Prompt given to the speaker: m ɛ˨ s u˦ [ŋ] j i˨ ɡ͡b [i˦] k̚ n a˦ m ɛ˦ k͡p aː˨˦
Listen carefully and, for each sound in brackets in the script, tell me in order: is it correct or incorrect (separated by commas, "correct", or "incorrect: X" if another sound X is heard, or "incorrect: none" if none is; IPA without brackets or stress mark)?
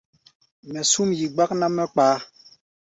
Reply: incorrect: m, incorrect: a˦